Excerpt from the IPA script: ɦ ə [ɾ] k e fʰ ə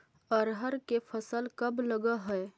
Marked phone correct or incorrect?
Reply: correct